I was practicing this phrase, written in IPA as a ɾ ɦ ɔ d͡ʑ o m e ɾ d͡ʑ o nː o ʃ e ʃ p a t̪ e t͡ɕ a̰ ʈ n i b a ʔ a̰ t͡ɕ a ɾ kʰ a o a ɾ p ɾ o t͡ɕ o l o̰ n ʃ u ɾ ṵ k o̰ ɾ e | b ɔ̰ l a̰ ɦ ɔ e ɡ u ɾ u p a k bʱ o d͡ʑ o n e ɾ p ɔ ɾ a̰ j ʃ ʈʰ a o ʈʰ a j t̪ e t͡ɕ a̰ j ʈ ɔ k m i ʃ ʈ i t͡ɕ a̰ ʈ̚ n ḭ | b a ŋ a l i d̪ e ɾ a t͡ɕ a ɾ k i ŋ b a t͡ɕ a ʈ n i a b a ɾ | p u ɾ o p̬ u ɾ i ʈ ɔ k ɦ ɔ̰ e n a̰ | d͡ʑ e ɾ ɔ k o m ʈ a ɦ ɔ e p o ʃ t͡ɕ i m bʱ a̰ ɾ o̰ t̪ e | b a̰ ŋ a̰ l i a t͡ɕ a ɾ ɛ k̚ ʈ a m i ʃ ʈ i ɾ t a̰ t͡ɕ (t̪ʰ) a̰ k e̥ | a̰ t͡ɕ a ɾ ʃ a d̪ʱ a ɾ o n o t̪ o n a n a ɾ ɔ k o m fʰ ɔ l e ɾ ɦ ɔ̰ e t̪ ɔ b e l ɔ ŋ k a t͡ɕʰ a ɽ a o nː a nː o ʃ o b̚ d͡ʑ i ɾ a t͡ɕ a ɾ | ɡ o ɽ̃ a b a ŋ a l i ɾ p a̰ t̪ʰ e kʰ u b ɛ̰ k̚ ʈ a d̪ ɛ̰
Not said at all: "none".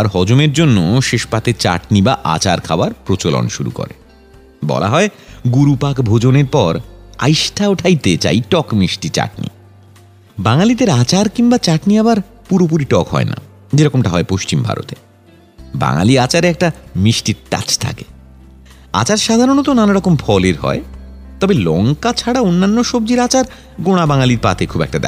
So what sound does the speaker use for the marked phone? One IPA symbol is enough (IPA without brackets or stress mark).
t̪ʰ